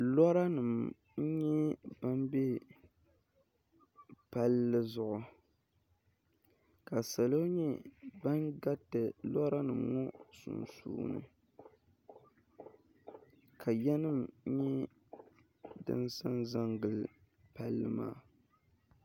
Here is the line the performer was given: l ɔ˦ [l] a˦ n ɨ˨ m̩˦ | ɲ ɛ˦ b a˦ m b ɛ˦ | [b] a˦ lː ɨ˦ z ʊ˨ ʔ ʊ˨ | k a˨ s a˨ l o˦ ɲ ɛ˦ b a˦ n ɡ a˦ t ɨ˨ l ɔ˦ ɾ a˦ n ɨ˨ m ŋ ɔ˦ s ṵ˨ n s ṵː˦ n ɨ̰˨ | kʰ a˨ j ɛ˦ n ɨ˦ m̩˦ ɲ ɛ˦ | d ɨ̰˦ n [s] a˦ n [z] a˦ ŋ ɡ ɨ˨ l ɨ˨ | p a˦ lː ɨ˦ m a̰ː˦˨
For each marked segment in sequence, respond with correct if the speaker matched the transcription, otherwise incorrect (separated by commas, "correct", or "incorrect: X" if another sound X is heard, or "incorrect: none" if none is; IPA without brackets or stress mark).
incorrect: ɾ, incorrect: p, correct, correct